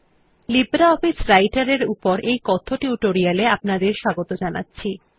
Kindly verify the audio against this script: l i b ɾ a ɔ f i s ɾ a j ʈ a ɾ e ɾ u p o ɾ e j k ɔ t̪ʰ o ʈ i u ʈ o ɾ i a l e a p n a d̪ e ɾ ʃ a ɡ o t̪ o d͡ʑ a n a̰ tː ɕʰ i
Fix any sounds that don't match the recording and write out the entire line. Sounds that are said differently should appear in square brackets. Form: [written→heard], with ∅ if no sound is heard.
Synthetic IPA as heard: l i b ɾ a ɔ f i s ɾ a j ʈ a ɾ e ɾ u p o ɾ e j k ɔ t̪ʰ o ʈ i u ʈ o ɾ i a l e a p n a d̪ e ɾ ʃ a ɡ o t̪ o d͡ʑ a n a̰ tː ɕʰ i

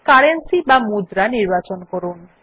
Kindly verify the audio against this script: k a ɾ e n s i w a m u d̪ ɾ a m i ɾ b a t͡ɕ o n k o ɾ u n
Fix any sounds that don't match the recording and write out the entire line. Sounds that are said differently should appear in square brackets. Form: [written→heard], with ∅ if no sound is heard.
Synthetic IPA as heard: k a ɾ e n s i [w→b] a m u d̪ ɾ a [m→n] i ɾ b a t͡ɕ o n k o ɾ u n

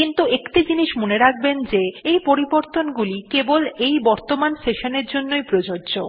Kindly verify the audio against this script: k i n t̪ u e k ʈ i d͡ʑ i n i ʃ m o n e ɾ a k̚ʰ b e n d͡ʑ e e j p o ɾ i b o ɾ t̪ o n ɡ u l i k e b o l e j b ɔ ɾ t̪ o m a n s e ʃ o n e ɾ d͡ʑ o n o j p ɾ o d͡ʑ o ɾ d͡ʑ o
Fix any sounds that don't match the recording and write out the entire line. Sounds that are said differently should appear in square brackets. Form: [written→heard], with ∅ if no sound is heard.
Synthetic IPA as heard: k i n t̪ u e k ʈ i d͡ʑ i n i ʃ m o n e ɾ a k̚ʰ b e n d͡ʑ e e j p o ɾ i b o ɾ t̪ o n ɡ u l i k e b o l e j b ɔ ɾ t̪ o m a n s e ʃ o n e ɾ d͡ʑ o [n→nː] o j p ɾ o d͡ʑ o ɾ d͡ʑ o

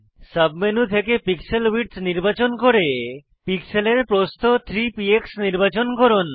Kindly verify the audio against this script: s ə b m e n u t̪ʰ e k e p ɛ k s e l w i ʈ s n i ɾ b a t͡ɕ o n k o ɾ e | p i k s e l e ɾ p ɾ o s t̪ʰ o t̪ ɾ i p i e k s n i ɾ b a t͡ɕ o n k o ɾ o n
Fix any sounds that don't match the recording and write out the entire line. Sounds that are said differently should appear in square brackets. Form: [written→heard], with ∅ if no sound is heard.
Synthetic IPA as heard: s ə b m e n u t̪ʰ e k e p [ɛ→i] k s e l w i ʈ s n i ɾ b a t͡ɕ o n k o ɾ e | p i k s e l e ɾ p ɾ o s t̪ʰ o [t̪→t̪ʰ] ɾ i p i e k s n i ɾ b a t͡ɕ o n k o ɾ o n

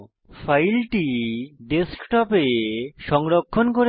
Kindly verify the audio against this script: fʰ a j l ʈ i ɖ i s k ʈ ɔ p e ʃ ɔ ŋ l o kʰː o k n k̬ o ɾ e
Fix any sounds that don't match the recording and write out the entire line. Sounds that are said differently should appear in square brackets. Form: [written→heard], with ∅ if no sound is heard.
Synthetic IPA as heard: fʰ a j l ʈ i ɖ [i→e] s k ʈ ɔ p e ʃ ɔ ŋ [l→ɾ] o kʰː o [k→∅] n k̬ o ɾ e

